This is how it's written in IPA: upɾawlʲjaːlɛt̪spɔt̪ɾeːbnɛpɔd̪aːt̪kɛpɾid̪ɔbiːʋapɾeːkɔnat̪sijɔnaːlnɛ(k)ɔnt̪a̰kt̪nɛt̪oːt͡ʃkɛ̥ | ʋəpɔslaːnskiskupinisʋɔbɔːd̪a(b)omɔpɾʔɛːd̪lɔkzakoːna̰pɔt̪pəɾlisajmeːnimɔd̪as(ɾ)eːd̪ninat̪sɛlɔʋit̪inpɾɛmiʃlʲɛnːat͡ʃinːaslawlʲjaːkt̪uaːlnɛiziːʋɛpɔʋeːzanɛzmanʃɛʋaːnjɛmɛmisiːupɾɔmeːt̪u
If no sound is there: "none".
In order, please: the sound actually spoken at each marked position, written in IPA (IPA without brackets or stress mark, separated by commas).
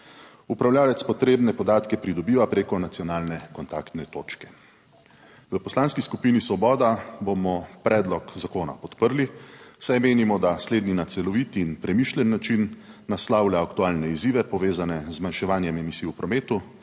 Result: k, b, l